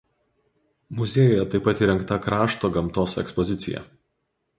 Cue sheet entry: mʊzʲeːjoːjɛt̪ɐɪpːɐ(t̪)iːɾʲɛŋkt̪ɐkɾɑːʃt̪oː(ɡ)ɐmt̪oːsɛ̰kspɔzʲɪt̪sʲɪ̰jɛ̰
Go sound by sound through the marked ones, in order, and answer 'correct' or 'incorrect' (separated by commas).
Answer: correct, correct